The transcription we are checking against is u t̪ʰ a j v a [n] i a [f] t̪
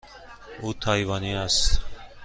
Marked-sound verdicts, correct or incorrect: correct, incorrect: s

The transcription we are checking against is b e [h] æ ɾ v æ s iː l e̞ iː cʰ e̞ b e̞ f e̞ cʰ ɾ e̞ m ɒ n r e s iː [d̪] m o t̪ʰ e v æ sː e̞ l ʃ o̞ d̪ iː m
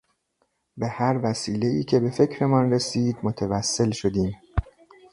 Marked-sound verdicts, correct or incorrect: correct, correct

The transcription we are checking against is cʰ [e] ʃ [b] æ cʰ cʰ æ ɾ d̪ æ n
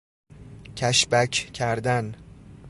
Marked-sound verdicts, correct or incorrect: incorrect: æ, correct

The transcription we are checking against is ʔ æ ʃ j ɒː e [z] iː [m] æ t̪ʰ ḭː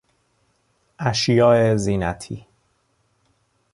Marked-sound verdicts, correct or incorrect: correct, incorrect: n

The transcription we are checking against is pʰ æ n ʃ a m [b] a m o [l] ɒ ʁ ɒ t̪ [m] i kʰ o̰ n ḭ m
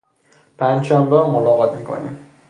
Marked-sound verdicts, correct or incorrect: correct, correct, correct

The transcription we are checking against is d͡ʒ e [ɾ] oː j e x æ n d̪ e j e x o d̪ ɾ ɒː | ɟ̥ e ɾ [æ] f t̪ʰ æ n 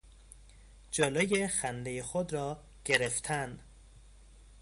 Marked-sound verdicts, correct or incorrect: incorrect: l, incorrect: e

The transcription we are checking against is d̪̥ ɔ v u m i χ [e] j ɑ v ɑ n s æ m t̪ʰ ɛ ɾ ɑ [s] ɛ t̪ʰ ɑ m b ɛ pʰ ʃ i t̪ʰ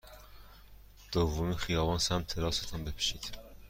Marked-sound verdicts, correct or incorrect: incorrect: i, correct

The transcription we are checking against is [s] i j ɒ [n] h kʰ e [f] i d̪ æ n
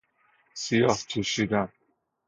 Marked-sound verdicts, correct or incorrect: correct, incorrect: none, incorrect: ʃ

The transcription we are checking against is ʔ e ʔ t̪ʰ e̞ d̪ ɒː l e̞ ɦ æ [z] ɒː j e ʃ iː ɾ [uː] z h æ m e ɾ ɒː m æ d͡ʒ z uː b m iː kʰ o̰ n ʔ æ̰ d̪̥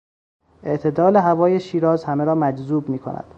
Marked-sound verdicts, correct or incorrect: incorrect: v, incorrect: ɒː

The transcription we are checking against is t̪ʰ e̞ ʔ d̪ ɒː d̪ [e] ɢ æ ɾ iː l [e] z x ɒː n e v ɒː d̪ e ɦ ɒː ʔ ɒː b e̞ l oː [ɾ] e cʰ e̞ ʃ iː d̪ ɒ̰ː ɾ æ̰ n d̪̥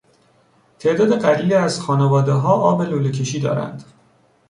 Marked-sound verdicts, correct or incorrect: correct, incorrect: æ, incorrect: l

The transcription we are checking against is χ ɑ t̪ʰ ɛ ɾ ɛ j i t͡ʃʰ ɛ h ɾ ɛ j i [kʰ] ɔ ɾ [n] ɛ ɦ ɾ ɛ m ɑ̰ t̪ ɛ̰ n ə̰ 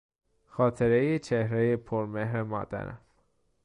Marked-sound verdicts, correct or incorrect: incorrect: pʰ, incorrect: m

